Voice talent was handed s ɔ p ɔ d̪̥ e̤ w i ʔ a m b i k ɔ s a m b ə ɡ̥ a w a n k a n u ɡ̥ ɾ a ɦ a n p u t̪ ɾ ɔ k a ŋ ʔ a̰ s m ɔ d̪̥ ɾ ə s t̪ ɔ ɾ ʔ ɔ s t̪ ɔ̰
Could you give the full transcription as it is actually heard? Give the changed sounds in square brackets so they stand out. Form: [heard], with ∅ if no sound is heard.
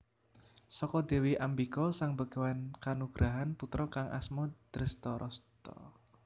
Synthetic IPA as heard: s ɔ [k] ɔ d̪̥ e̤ w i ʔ a m b i k ɔ s a [ŋ] b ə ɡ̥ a w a n k a n u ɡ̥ ɾ a ɦ a n p u t̪ ɾ ɔ k a ŋ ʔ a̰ s m ɔ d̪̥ ɾ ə s t̪ ɔ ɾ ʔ ɔ s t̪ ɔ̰

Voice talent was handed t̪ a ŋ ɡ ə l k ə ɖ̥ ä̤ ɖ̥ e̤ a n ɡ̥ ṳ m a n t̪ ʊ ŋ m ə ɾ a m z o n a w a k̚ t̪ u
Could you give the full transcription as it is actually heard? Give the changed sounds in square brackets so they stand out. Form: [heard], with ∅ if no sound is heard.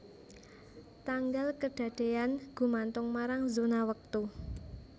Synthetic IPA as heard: t̪ a ŋ ɡ [a] l k ə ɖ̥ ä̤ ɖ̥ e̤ a n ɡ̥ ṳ m a n t̪ ʊ ŋ m [a] ɾ a [ŋ] z o n a w [ə] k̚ t̪ u

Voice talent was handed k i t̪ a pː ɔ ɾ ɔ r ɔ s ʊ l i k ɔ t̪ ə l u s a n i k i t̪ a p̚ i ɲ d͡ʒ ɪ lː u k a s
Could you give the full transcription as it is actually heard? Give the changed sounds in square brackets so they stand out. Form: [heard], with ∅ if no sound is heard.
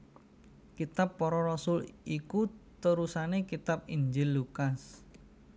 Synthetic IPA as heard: k i t̪ a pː ɔ ɾ ɔ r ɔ s ʊ l i k [u] t̪ ə [ɾ] u s a n [e] k i t̪ a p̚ i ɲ d͡ʒ ɪ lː u k a s

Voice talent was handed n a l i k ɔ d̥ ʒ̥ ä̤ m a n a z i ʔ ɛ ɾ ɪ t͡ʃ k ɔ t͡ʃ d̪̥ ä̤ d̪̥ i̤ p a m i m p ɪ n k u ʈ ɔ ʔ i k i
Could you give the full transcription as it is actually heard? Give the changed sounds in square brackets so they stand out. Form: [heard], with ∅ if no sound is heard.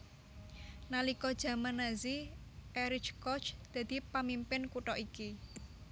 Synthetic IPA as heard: n a l i k ɔ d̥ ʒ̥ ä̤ m a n a z i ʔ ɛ ɾ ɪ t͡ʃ k ɔ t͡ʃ d̪̥ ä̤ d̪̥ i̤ p a m i m p ɪ n k u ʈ ɔ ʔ i k i

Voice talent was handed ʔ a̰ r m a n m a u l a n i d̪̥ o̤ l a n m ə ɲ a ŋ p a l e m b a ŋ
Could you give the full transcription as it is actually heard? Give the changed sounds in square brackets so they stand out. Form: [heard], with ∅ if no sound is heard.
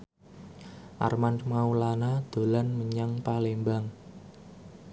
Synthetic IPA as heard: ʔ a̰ r m a n m a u l a n [a] d̪̥ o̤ l a n m ə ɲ a ŋ p a l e m b a ŋ

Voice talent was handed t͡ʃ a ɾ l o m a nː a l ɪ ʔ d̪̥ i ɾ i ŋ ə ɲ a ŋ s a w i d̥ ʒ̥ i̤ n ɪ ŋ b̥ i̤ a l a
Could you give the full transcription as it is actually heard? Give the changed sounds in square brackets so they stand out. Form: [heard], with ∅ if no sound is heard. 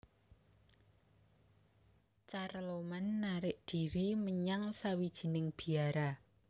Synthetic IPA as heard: t͡ʃ a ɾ l o m a nː a [ɾ] ɪ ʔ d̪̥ i ɾ i [m] ə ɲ a ŋ s a w i d̥ ʒ̥ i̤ n ɪ ŋ b̥ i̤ a [ɾ] a

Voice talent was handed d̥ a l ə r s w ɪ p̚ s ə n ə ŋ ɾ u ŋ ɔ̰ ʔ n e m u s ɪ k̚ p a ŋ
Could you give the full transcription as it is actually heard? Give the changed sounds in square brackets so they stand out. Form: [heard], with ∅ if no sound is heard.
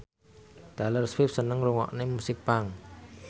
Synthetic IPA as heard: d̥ a l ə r s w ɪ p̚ s ə n ə ŋ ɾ u ŋ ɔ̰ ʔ n e m u s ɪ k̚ p a ŋ

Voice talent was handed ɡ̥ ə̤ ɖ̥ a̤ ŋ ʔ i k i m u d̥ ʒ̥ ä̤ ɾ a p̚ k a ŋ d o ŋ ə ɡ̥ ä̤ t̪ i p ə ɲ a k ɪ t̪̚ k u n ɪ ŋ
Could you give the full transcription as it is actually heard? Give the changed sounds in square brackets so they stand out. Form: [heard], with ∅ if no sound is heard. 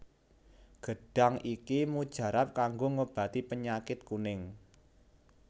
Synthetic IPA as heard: ɡ̥ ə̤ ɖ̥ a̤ ŋ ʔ i k i m u d̥ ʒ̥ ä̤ ɾ a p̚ k a ŋ [ɡ] o ŋ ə [b̥] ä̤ t̪ i p ə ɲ a k ɪ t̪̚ k u n ɪ ŋ

